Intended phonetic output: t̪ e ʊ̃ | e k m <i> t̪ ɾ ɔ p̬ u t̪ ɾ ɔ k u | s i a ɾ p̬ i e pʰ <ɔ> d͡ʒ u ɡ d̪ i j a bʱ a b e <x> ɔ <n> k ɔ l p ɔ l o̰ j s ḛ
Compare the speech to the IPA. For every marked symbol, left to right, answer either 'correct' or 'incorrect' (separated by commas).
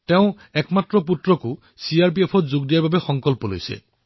incorrect, correct, correct, incorrect